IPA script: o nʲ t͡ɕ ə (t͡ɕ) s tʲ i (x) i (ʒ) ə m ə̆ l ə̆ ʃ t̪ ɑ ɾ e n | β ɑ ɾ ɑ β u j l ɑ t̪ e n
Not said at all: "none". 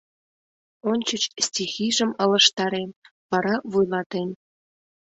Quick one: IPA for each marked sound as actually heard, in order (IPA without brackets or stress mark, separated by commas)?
t͡ɕ, x, ʒ